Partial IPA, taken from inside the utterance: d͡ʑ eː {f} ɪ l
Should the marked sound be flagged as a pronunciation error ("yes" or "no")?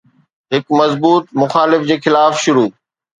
yes